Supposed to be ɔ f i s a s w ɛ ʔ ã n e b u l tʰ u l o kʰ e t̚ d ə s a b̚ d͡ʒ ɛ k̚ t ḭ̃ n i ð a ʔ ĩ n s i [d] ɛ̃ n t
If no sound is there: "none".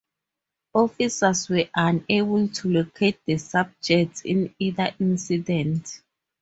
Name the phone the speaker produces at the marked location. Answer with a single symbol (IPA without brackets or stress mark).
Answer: d